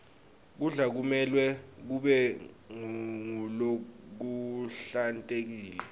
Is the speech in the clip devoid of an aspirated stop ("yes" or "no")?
yes